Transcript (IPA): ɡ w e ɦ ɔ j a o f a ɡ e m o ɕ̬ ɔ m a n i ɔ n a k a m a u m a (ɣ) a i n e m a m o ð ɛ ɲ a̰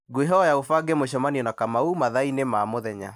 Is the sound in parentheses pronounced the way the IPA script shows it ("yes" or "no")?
no